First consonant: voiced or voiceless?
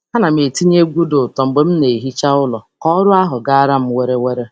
voiced